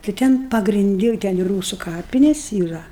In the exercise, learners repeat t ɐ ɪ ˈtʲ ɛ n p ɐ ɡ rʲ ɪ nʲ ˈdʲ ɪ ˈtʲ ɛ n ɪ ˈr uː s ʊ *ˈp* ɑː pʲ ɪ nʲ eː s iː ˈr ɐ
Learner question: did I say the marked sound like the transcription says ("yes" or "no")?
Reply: no